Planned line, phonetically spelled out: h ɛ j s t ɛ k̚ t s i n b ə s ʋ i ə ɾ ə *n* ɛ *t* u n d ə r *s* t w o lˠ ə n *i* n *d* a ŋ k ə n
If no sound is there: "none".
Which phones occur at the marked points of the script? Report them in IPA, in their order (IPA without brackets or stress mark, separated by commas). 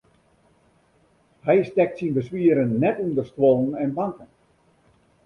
nː, t, s, ɛ, b